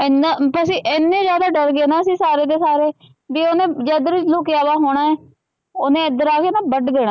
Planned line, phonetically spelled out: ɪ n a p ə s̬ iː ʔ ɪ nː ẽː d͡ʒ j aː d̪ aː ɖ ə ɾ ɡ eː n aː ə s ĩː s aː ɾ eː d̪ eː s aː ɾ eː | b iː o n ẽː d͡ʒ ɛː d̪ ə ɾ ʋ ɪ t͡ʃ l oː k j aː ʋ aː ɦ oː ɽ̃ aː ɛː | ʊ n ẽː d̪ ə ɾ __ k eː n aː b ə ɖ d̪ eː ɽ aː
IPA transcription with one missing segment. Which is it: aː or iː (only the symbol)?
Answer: aː